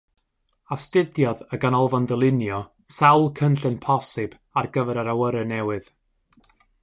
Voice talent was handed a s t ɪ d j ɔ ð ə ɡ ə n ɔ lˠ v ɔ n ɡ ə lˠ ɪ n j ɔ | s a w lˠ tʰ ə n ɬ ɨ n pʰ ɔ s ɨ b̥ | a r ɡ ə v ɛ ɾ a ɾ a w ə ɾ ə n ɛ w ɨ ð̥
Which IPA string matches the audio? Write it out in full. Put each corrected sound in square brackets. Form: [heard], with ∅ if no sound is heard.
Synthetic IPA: a s t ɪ d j ɔ ð ə ɡ [a] n ɔ lˠ v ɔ n [d] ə lˠ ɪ n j ɔ | s a w lˠ [kʰ] ə n ɬ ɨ n pʰ ɔ s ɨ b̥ | a r ɡ ə v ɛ ɾ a ɾ a w ə ɾ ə n ɛ w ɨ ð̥